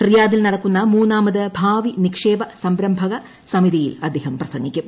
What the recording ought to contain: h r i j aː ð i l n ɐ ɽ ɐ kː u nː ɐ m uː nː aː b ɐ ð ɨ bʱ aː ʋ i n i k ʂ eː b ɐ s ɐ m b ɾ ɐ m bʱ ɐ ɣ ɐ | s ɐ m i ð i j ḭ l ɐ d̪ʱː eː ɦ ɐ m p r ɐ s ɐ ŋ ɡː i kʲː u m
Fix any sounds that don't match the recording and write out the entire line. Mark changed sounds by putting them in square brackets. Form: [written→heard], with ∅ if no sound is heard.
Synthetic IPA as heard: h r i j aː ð i l n ɐ ɽ ɐ kː u nː ɐ m uː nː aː [b→m] ɐ ð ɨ bʱ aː ʋ i n i k ʂ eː b ɐ s ɐ m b ɾ ɐ m bʱ ɐ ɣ ɐ | s ɐ m i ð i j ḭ l ɐ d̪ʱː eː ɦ ɐ m p r ɐ s ɐ ŋ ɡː i kʲː u m